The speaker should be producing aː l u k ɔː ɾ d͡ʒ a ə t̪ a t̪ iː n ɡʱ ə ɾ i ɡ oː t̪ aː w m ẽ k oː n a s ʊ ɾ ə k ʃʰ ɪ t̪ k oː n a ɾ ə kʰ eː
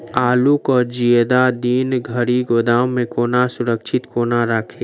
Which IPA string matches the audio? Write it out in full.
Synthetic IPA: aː l u k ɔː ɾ d͡ʒ i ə d̪ a d̪ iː n ɡʱ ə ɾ i ɡ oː d̪ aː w m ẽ k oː n a s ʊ ɾ ə k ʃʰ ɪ t̪ k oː n a ɾ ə kʰ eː